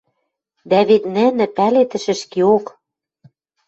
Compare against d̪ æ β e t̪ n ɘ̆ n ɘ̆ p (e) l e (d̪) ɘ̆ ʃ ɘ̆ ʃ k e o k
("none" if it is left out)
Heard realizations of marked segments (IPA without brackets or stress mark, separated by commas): æ, t̪